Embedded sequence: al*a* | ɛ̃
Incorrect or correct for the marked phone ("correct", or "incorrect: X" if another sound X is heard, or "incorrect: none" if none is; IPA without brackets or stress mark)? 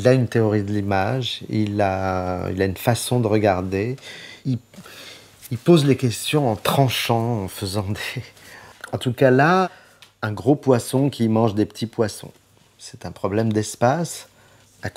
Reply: correct